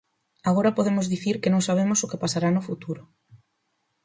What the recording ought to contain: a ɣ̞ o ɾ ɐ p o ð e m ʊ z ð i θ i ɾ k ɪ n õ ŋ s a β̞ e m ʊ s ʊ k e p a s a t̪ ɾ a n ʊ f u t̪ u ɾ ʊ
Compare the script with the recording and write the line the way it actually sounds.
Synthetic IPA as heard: a ɣ̞ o ɾ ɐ p o ð e m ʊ z ð i θ i ɾ k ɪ n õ ŋ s a β̞ e m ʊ s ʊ k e p a s a ɾ a n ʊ f u t̪ u ɾ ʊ